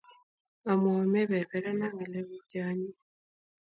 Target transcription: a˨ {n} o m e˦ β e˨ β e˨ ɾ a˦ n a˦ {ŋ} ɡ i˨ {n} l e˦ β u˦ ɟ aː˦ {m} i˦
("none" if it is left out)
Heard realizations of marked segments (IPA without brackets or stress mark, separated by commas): m, ŋ, none, ɲ